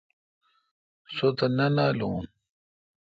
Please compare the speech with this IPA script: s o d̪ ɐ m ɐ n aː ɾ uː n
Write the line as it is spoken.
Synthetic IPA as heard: s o t̪ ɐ n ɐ n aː l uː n